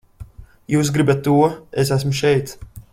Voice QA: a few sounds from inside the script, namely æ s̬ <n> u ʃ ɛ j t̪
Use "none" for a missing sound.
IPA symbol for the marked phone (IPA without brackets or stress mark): m